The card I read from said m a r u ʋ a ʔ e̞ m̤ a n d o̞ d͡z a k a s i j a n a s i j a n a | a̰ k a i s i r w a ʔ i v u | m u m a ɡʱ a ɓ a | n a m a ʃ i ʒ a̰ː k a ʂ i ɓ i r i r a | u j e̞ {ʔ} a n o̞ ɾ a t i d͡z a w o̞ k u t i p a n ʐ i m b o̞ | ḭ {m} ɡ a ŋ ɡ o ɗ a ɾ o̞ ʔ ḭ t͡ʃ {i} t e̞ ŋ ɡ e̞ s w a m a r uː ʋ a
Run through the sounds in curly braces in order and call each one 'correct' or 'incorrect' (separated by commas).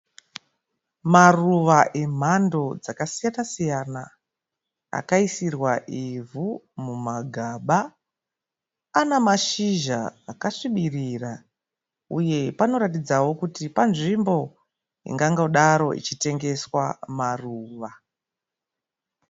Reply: incorrect, incorrect, correct